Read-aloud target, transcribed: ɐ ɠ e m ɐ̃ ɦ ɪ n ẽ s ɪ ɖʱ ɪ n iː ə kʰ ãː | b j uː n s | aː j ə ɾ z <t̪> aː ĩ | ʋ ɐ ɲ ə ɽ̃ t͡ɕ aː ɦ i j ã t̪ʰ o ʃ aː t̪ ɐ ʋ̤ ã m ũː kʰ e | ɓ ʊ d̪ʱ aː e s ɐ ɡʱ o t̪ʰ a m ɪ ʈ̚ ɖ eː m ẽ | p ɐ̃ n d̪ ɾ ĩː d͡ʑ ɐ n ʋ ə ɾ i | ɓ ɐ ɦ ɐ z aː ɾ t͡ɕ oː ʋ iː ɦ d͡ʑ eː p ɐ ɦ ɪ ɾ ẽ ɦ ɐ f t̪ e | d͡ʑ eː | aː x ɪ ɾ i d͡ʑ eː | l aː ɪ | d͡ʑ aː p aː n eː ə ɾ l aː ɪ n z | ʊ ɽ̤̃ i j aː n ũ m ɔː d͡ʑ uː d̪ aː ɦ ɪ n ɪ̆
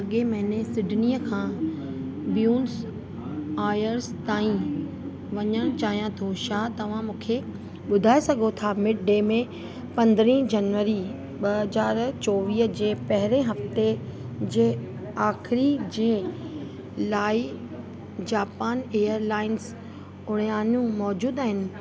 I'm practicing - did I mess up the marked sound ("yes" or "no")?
no